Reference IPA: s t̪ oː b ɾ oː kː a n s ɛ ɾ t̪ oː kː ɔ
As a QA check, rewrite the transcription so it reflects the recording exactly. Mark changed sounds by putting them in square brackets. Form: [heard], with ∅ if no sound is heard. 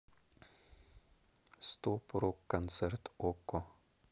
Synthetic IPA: s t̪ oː [p] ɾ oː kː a n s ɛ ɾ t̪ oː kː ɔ